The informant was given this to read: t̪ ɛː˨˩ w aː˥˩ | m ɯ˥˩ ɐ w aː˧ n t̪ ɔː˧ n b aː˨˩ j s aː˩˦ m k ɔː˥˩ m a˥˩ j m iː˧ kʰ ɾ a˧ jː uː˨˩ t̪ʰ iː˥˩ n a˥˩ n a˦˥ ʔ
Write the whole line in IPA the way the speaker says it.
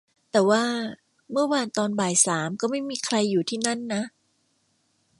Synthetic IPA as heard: t̪ ɛː˨˩ w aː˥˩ | m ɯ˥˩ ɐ w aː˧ n t̪ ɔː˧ n b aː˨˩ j s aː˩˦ m k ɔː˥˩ m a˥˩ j m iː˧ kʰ ɾ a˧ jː uː˨˩ t̪ʰ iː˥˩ n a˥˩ nː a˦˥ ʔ